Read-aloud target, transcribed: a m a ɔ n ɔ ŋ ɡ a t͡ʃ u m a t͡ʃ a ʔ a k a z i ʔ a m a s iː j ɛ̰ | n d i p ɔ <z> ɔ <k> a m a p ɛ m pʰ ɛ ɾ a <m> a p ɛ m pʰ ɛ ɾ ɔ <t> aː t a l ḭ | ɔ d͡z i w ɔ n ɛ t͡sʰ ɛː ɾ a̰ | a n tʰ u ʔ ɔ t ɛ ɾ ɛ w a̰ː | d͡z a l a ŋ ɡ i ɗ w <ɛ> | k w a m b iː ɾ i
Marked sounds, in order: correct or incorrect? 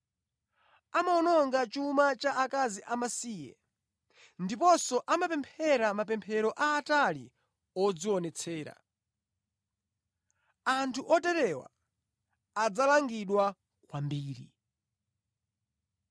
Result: incorrect, incorrect, correct, incorrect, incorrect

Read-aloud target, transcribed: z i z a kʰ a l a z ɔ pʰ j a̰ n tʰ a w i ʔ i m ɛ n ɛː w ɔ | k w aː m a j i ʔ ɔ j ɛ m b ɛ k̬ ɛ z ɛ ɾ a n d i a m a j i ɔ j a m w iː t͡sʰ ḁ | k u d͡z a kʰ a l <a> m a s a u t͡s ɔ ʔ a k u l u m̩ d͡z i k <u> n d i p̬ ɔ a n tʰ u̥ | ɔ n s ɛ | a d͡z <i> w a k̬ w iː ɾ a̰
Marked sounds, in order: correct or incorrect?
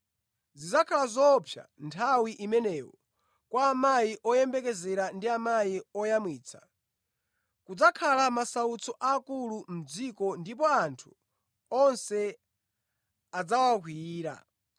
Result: correct, incorrect, incorrect

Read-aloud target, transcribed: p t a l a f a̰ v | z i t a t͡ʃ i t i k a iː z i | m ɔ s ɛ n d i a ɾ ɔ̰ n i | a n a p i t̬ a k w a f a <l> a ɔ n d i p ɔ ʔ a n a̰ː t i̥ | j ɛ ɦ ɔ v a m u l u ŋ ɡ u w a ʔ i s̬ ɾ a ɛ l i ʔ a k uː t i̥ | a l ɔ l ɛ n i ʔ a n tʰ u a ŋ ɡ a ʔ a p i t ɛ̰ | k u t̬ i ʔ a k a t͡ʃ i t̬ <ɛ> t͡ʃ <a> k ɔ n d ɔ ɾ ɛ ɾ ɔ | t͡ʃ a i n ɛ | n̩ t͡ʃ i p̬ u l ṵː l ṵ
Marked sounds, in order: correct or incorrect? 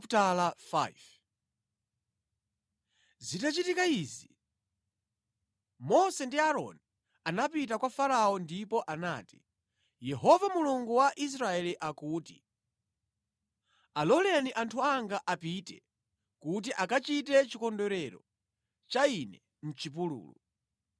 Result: incorrect, correct, incorrect

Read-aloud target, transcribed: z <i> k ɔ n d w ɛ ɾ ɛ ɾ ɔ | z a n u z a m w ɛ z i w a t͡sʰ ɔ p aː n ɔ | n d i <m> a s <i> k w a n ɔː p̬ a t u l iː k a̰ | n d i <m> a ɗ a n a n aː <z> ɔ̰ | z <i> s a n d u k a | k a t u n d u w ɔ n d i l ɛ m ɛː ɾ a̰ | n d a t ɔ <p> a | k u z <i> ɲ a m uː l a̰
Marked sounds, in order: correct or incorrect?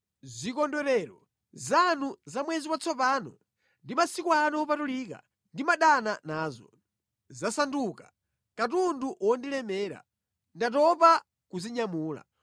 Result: correct, correct, correct, correct, correct, incorrect, correct, correct

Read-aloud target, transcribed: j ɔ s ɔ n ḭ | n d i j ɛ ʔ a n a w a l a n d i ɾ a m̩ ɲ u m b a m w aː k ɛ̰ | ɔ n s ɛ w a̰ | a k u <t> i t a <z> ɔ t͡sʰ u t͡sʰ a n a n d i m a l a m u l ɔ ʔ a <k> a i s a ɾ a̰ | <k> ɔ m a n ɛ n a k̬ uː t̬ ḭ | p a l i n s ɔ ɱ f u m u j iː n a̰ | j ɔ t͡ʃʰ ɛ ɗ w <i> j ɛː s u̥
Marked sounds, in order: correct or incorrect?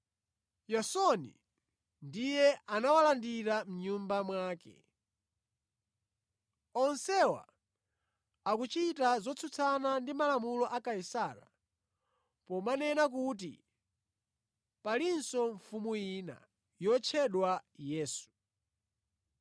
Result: incorrect, correct, correct, incorrect, incorrect

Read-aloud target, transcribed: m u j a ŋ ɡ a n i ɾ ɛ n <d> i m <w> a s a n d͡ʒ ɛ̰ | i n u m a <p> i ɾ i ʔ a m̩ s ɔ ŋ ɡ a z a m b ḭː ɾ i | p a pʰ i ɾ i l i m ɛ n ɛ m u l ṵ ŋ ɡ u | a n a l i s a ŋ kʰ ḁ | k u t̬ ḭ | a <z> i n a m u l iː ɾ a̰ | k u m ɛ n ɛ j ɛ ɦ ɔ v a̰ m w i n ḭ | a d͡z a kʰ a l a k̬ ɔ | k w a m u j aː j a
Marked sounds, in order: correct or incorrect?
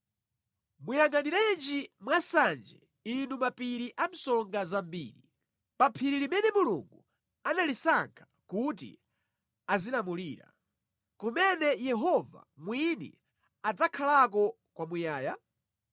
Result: incorrect, correct, correct, correct

